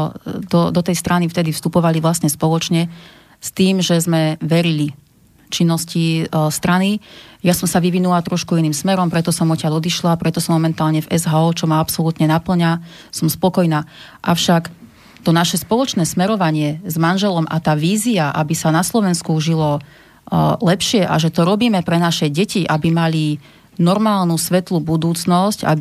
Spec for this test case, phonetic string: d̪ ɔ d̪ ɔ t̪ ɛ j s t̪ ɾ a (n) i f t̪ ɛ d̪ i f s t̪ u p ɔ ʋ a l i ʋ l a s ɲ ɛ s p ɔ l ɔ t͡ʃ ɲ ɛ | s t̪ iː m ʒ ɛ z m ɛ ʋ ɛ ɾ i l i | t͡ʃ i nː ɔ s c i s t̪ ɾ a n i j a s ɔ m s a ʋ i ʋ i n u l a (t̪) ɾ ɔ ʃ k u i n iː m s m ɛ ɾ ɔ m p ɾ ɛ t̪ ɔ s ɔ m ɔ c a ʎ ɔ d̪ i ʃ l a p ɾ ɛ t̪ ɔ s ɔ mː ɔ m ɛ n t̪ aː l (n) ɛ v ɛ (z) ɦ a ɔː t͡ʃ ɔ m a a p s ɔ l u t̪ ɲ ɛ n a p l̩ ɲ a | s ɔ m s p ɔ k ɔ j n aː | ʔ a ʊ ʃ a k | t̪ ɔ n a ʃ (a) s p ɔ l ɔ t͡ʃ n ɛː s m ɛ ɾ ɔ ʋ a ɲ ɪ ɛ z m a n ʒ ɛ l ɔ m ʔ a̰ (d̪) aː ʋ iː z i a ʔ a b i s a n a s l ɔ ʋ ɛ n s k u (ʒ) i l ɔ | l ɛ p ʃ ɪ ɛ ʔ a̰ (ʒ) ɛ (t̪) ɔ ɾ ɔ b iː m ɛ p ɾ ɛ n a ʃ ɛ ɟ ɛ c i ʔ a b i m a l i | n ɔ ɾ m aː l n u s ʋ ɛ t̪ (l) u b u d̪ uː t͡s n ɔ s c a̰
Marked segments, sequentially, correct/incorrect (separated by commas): correct, correct, incorrect, correct, incorrect, incorrect, correct, correct, correct, correct